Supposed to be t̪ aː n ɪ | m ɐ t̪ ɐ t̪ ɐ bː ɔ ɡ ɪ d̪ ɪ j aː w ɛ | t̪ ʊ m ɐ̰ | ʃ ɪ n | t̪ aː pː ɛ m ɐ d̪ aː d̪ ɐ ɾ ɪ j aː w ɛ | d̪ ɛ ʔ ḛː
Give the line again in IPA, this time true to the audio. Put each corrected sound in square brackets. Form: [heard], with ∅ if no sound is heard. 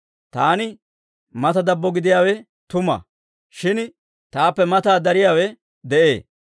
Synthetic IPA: t̪ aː n ɪ | m ɐ t̪ ɐ [d̪] ɐ bː ɔ ɡ ɪ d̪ ɪ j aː w ɛ | t̪ ʊ m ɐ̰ | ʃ ɪ n | t̪ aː pː ɛ m ɐ [t̪] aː d̪ ɐ ɾ ɪ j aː w ɛ | d̪ ɛ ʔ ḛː